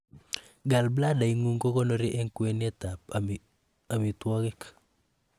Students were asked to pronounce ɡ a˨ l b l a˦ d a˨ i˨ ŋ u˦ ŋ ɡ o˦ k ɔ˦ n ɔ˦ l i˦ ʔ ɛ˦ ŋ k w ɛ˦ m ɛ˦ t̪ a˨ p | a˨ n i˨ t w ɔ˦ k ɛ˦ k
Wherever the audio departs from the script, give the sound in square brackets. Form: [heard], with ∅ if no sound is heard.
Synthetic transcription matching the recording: ɡ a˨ l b l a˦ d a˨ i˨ ŋ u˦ ŋ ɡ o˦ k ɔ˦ n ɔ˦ [ɾ] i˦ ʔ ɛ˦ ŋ k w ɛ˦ [n] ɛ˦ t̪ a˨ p | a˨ [m] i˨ t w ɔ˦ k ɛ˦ k